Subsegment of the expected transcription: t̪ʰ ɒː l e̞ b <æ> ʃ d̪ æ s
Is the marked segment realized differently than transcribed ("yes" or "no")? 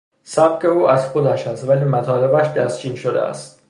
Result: no